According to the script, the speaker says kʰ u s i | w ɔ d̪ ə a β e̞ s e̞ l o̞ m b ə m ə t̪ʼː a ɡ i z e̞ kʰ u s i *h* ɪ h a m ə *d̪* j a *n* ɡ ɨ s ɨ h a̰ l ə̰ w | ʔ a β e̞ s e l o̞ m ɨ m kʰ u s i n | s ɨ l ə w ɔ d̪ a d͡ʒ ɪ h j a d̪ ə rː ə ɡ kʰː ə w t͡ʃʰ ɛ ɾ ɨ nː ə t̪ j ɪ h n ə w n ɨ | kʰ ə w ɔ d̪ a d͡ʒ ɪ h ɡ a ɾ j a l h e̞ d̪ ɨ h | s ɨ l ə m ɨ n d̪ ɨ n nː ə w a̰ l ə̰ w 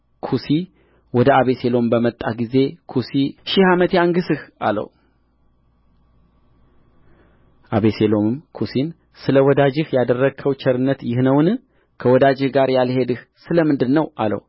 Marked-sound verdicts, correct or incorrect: incorrect: ʃ, incorrect: t̪, incorrect: ŋ

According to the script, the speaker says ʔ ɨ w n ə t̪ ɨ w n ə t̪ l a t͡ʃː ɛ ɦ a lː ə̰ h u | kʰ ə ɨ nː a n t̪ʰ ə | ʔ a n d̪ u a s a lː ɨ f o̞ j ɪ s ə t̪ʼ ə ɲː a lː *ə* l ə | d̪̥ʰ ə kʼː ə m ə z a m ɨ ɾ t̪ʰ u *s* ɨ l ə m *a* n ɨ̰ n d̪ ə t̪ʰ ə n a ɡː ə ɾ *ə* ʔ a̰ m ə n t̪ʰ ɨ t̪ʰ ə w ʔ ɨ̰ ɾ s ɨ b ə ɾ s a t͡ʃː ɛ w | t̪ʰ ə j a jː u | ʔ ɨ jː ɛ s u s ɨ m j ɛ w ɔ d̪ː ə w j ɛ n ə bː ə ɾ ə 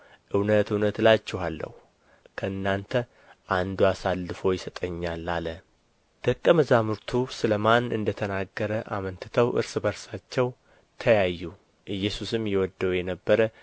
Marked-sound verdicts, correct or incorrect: incorrect: a, correct, correct, correct

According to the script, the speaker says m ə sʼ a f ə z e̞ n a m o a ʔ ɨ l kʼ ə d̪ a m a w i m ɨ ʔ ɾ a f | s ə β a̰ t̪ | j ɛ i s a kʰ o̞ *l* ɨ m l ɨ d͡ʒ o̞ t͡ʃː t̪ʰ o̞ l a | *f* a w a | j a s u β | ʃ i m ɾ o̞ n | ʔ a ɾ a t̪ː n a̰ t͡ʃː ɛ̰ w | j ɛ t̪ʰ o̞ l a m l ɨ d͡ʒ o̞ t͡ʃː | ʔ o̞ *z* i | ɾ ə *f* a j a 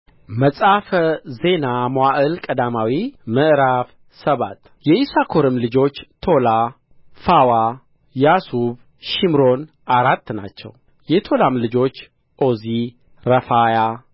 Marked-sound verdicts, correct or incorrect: incorrect: ɾ, correct, correct, correct

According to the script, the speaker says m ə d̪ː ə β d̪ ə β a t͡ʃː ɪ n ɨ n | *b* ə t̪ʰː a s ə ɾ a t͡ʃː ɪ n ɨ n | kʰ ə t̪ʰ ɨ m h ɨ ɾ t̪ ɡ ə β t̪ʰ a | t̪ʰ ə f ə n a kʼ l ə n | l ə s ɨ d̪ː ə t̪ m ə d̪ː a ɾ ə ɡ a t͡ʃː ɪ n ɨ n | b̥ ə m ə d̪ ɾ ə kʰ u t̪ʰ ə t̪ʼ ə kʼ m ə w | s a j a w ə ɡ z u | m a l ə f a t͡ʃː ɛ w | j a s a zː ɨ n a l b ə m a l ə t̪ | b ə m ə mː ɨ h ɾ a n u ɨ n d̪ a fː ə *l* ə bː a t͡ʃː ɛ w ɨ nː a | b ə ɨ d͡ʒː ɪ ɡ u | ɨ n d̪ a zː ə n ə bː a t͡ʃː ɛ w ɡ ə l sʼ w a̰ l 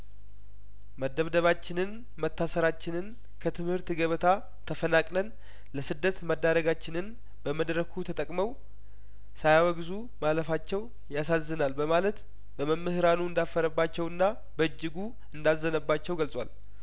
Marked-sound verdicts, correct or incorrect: incorrect: m, incorrect: ɾ

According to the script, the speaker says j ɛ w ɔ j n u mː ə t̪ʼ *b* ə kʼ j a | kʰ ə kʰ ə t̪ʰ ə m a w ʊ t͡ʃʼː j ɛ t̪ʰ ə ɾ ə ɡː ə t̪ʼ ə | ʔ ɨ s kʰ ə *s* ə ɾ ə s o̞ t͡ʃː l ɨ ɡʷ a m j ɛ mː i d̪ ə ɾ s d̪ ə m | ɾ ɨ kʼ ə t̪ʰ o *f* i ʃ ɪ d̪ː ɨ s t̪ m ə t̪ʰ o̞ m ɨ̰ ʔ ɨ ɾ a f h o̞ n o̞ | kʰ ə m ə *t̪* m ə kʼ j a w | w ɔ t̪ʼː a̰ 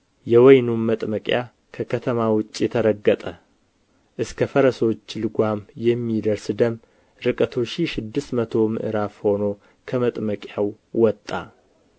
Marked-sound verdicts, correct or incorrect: incorrect: m, incorrect: f, incorrect: ʃ, incorrect: t̪ʼ

